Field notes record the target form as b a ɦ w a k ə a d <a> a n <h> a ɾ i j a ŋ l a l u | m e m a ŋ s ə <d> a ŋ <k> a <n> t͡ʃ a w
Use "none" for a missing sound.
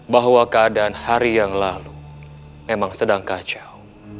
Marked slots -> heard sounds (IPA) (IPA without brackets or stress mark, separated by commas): a, h, d, k, none